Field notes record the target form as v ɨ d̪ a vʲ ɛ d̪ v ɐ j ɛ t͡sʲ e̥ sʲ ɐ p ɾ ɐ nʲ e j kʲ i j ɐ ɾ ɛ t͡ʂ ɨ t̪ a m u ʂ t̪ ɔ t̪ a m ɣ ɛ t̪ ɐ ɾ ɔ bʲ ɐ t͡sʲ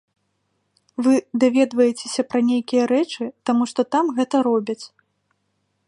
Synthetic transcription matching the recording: v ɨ d̪ a vʲ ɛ d̪ v ɐ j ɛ t͡sʲ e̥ sʲ ɐ p ɾ ɐ nʲ e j kʲ i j ɐ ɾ ɛ t͡ʂ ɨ t̪ a m u ʂ t̪ ɔ t̪ a m ɣ ɛ t̪ ɐ ɾ ɔ bʲ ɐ t͡sʲ